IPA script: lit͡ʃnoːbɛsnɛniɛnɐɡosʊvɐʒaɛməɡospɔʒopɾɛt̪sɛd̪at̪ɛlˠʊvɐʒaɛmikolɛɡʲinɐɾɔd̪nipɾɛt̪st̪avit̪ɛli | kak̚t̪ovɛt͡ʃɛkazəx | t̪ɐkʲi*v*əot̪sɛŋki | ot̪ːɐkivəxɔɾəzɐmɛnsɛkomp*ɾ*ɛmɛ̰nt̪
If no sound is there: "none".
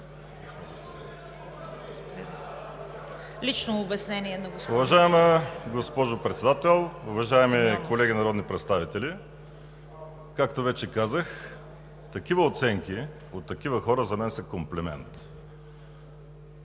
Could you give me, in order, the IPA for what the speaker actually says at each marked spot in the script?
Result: v, l

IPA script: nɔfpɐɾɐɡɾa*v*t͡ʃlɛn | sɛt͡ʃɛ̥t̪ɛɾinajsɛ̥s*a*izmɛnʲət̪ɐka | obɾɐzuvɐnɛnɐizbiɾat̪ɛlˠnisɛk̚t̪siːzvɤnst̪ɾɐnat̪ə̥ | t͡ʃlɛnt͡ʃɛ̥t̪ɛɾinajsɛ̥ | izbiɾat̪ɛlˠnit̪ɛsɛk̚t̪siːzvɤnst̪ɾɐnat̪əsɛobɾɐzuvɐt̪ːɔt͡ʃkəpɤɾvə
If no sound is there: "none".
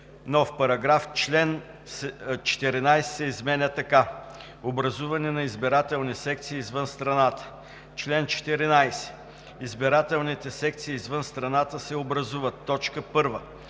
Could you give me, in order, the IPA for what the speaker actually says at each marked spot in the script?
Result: f, ɛ

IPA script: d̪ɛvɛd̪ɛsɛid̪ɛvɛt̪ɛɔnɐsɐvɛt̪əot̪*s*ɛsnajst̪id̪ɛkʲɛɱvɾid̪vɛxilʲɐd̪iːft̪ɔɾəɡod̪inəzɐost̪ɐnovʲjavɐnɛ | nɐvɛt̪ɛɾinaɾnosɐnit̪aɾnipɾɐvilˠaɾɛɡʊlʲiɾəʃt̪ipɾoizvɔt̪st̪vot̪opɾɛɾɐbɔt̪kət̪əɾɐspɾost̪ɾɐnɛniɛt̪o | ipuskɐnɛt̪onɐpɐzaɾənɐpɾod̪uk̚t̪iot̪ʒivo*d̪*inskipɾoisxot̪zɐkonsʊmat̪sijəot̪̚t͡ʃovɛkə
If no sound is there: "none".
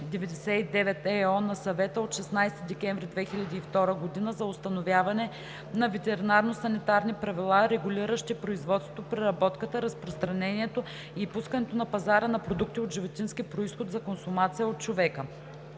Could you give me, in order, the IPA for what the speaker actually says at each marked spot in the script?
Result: ʃ, t̪

